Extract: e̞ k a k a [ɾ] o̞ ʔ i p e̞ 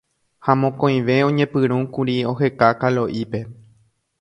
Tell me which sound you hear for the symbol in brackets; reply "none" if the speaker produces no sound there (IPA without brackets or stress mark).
l